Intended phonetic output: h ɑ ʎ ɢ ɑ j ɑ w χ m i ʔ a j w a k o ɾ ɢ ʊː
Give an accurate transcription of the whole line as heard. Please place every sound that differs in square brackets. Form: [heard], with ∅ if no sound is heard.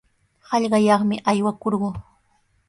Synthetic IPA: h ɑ ʎ ɢ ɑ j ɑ [∅] χ m [ɪ] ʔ a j w a k o ɾ ɢ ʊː